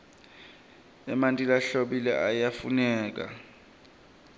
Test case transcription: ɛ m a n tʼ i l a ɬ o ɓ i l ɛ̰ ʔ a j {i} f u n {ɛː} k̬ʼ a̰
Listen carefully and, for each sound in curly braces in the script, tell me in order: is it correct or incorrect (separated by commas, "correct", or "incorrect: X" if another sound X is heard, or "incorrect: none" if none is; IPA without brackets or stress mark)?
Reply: incorrect: a, correct